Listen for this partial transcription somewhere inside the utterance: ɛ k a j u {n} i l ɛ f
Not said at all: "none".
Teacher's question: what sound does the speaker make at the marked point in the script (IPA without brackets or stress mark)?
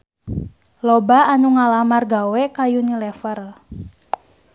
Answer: n